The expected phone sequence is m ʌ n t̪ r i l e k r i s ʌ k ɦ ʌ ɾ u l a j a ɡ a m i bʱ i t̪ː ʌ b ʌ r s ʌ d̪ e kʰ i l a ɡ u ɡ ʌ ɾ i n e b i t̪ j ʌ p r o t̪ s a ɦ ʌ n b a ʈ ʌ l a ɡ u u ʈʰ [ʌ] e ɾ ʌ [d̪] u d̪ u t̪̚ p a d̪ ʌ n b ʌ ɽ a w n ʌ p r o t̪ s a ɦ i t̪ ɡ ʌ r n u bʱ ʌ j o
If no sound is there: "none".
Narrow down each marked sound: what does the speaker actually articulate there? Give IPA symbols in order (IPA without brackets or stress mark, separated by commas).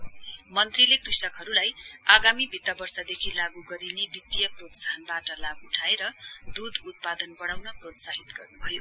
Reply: a, d̪